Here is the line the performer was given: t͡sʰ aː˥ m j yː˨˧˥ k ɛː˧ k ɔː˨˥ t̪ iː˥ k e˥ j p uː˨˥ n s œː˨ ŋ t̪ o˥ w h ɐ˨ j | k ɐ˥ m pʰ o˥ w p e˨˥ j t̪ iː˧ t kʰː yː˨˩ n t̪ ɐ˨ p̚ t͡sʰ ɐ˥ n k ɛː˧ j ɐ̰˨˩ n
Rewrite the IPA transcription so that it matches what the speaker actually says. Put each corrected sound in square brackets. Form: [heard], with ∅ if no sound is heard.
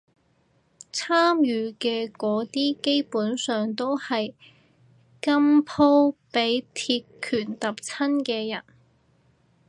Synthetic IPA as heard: t͡sʰ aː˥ m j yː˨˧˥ k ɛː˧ k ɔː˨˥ t̪ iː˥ k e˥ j p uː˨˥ n s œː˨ ŋ t̪ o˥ w h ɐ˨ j | k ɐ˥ m pʰ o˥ w p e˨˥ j [t̪ʰ] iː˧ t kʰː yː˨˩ n t̪ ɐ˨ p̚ t͡sʰ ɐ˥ n k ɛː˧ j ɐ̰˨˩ n